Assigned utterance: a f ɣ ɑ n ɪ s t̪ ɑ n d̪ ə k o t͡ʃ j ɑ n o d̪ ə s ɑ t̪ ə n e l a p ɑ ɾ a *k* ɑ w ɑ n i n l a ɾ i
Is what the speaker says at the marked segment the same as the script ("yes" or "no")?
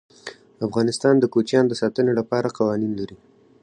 no